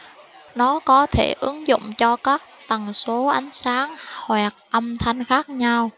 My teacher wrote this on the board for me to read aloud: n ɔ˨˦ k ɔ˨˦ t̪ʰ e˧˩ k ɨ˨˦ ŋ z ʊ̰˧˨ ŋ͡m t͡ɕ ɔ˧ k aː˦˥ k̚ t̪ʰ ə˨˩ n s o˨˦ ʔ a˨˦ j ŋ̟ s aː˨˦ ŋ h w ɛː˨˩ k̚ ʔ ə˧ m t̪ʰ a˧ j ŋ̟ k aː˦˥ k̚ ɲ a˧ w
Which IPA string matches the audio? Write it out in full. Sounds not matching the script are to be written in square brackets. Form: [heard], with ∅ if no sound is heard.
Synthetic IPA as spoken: n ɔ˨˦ k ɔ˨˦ t̪ʰ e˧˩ [ʔ] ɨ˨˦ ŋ z ʊ̰˧˨ ŋ͡m t͡ɕ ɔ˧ k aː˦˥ k̚ [t̪] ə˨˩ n s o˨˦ ʔ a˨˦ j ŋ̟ s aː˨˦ ŋ h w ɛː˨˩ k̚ ʔ ə˧ m t̪ʰ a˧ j ŋ̟ [x] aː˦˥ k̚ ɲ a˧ w